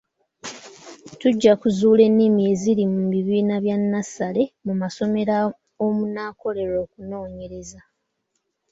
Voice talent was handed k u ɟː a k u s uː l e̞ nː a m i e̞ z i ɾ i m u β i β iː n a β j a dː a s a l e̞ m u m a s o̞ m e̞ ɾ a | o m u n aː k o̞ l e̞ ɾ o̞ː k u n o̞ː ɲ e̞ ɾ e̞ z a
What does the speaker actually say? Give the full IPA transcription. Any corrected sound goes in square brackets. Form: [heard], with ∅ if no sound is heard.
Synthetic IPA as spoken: [t] u ɟː a k u [z] uː l e̞ nː [i] m i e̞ z i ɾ i m u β i β iː n a β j a [nː] a s a l e̞ m u m a s o̞ m e̞ ɾ a | o m u n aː k o̞ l e̞ ɾ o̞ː k u n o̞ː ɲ e̞ ɾ e̞ z a